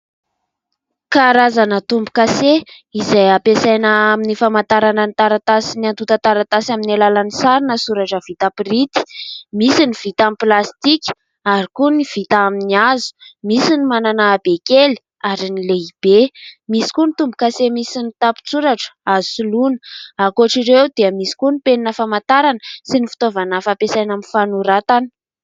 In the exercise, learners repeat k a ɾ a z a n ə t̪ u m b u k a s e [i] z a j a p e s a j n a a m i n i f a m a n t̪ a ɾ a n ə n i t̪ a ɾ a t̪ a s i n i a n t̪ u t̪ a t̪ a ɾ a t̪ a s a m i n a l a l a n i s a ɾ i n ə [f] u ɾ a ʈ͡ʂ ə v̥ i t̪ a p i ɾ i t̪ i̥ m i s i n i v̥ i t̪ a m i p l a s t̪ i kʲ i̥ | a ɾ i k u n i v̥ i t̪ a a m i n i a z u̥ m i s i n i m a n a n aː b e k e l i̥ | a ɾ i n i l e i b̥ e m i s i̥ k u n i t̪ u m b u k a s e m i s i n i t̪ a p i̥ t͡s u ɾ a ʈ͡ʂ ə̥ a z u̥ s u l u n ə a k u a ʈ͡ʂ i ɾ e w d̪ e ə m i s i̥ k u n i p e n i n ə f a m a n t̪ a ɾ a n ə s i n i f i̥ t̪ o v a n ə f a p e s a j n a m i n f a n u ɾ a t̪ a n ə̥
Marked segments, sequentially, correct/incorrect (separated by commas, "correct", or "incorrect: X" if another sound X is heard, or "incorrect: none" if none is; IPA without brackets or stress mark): correct, incorrect: s